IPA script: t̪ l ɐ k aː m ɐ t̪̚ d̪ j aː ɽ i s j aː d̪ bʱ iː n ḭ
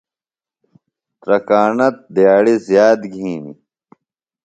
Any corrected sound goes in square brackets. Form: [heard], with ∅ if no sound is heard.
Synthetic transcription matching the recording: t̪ [ɾ] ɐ k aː [n] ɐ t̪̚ d̪ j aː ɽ i [z] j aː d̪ [ɡʱ] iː n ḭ